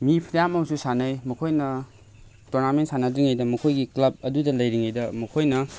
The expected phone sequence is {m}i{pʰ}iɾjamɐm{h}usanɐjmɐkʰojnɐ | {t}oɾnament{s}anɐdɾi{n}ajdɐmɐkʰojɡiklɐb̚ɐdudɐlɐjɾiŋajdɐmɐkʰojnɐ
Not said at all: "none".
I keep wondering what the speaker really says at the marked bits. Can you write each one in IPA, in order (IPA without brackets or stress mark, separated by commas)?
m, pʰ, s, t, s, ŋ